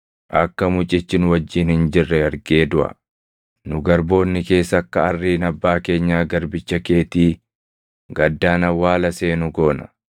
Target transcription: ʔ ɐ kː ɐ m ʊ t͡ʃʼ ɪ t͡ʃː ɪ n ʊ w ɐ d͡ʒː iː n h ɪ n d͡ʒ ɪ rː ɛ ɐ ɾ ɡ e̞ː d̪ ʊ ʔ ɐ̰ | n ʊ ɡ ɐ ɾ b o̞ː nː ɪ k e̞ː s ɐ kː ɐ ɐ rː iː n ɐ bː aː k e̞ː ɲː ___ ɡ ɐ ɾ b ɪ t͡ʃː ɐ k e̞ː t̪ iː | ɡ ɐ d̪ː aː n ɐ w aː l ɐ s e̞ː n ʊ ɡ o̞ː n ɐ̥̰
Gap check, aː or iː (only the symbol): aː